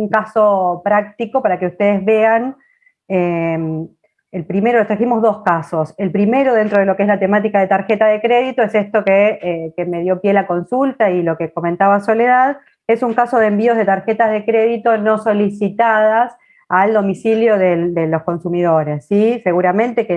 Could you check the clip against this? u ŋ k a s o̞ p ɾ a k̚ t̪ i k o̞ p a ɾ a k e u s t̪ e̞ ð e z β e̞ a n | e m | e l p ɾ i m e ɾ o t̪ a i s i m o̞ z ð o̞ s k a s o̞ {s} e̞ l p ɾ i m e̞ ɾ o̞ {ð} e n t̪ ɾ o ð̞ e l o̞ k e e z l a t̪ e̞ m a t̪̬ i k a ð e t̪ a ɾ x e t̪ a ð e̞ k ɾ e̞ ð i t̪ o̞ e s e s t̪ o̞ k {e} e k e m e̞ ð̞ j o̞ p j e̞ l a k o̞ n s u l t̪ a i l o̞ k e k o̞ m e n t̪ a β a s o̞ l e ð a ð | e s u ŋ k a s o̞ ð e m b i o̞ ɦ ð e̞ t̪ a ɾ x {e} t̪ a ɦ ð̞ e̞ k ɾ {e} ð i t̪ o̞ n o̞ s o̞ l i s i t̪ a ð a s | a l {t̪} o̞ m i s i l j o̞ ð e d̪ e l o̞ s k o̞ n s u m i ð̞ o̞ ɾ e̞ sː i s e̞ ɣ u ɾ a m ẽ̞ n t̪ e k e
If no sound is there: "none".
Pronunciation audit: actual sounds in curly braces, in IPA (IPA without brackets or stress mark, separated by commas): s, ð, e, e, e, d̪